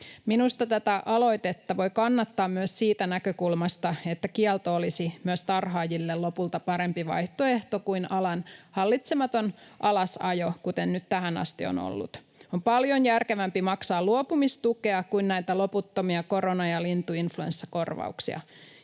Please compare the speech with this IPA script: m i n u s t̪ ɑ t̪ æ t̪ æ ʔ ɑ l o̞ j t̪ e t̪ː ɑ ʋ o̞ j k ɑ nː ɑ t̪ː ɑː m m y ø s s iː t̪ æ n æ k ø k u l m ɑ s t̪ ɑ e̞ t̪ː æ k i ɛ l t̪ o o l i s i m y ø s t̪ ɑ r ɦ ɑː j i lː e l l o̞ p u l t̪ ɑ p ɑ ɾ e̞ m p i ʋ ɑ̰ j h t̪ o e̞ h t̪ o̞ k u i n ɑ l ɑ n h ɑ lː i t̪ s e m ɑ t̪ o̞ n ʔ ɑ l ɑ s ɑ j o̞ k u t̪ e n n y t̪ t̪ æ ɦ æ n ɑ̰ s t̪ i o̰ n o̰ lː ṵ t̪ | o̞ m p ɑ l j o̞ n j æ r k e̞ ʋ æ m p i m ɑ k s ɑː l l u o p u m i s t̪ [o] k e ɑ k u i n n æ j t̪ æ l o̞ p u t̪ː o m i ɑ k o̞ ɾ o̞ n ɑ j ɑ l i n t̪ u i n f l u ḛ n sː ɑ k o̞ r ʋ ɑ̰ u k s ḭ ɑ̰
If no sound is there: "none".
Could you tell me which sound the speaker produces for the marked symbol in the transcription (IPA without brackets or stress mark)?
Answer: u